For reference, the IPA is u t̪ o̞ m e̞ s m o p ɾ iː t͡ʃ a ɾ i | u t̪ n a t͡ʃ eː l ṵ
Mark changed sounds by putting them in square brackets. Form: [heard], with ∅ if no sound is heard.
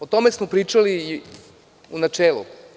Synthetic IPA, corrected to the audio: [o] t̪ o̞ m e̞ s m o p ɾ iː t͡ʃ a [l] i | u [∅] n a t͡ʃ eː l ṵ